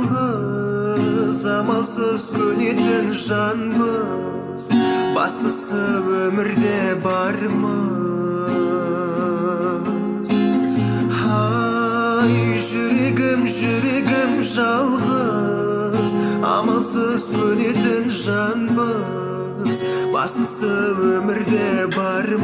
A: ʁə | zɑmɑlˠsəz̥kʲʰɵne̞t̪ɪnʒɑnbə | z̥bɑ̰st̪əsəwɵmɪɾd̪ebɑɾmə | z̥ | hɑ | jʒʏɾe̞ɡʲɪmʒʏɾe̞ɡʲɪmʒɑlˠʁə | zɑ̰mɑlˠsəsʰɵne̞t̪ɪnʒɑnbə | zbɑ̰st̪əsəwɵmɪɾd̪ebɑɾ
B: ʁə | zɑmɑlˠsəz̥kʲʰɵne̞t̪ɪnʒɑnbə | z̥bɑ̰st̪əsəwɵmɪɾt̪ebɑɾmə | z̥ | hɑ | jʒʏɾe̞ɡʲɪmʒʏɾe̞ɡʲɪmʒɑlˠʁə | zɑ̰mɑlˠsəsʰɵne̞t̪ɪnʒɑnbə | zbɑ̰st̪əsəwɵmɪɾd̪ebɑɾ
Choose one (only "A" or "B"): A